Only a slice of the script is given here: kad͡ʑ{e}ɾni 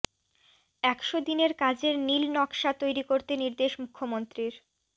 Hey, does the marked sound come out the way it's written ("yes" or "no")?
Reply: yes